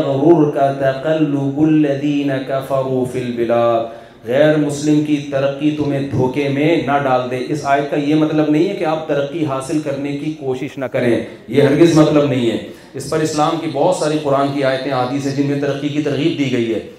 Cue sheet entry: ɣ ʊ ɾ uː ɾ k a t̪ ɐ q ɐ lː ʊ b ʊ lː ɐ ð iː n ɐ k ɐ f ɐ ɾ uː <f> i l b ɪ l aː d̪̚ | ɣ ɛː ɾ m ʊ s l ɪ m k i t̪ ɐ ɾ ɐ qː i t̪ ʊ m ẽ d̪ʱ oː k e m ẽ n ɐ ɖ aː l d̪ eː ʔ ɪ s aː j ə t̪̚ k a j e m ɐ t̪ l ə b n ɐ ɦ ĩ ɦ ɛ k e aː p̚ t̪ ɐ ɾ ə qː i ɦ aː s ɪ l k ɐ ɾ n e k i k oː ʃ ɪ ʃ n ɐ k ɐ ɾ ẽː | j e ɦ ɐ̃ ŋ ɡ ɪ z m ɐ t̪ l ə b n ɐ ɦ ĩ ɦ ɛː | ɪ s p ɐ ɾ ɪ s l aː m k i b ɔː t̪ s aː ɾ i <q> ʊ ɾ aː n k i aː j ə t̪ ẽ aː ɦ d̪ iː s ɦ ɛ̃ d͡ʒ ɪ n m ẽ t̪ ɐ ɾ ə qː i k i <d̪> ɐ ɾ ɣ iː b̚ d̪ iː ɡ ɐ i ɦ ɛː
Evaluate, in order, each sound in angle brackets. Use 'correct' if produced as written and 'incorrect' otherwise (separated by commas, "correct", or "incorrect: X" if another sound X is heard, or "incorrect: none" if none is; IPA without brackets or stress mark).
correct, correct, incorrect: t̪